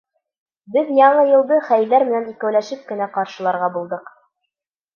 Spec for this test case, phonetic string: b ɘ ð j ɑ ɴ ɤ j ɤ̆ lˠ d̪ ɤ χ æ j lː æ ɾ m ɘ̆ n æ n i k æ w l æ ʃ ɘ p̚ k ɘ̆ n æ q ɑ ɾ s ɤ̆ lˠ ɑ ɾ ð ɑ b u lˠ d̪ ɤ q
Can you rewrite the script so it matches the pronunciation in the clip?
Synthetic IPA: b ɘ ð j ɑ ɴ ɤ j ɤ̆ lˠ d̪ ɤ χ æ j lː æ ɾ m ɘ̆ n æ n i k æ w l æ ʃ ɘ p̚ k ɘ̆ n æ q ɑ ɾ ʃ ɤ̆ lˠ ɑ ɾ ʁ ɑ b u lˠ d̪ ɤ q

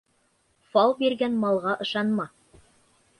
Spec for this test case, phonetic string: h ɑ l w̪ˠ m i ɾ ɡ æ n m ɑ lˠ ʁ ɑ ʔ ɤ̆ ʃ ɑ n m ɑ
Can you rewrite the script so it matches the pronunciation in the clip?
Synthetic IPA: f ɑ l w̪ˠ b i ɾ ɡ æ n m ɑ lˠ ʁ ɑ ʔ ɤ̆ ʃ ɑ n m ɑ

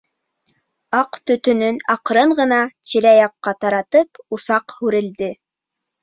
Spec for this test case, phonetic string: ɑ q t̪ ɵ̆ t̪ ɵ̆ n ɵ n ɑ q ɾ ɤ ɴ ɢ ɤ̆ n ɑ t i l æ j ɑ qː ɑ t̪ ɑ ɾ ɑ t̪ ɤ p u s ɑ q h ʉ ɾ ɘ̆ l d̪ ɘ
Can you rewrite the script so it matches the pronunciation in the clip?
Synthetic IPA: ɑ q t̪ ɵ̆ t̪ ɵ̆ n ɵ n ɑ q ɾ ɤ ɴ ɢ ɤ̆ n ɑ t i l æ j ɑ qː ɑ t̪ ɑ ɾ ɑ t̪ ɤ p u s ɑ q h ʉ ɾ ɘ̆ l d̪ ɘ

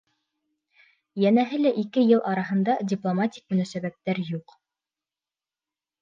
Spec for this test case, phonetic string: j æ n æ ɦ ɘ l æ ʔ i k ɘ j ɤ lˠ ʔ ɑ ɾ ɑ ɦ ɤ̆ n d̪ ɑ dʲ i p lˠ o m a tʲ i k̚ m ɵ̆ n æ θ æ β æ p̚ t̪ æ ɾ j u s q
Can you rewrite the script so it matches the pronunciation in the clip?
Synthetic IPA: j æ n æ ɦ ɘ l æ ʔ i k ɘ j ɤ lˠ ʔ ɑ ɾ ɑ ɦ ɤ̆ n d̪ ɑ dʲ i p lˠ o m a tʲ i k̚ m ɵ̆ n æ s æ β æ p̚ t̪ æ ɾ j u q

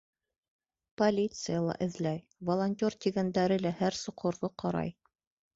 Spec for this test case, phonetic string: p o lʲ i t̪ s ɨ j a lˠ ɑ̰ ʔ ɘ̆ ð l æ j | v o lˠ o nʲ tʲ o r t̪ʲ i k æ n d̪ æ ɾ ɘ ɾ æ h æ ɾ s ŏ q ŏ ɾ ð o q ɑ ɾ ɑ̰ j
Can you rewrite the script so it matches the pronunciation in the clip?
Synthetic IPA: p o lʲ i t̪ s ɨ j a lˠ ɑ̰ ʔ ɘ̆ ð l æ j | v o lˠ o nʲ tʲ o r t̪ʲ i ɡ æ n d̪ æ ɾ ɘ l æ h æ ɾ s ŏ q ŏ ɾ ð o q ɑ ɾ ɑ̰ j

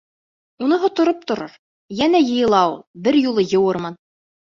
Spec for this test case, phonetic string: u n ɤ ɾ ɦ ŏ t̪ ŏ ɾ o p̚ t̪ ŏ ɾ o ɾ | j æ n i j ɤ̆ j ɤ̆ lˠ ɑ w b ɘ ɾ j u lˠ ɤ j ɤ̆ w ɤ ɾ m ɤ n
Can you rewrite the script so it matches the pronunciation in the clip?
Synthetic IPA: u n ɤ ɦ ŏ t̪ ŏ ɾ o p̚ t̪ ŏ ɾ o ɾ | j æ n æ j ɤ̆ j ɤ̆ lˠ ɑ w b ɘ ɾ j u lˠ ɤ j ɤ̆ w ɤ ɾ m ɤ n

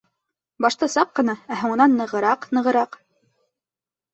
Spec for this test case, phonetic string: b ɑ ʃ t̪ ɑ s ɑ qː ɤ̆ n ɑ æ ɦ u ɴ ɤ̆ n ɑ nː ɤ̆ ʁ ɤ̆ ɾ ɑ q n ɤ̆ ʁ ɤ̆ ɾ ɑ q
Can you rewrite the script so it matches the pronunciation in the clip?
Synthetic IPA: b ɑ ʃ t̪ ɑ s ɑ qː ɤ̆ n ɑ æ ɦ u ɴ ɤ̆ n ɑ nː ɤ̆ ʁ ɤ̆ ɾ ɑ q n ɤ̆ ʁ ɤ̆ ɾ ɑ q

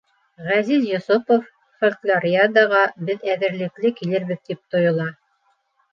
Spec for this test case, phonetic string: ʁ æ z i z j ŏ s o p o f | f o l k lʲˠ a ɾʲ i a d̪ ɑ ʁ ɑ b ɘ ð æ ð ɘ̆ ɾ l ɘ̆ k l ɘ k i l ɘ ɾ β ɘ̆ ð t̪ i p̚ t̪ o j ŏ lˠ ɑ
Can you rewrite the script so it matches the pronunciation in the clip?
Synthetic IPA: ʁ æ z i z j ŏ s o p o f | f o l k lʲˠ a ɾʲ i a d̪ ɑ ʁ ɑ b ɘ ð æ ð ɘ̆ ɾ l ɘ̆ k l ɘ k i l ɘ ɾ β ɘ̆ ð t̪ i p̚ t̪ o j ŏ lˠ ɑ

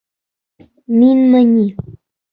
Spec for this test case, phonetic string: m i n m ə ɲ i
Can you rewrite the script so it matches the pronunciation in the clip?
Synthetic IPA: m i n m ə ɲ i

